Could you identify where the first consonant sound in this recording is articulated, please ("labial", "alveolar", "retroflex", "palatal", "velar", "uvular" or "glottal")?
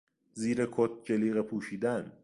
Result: alveolar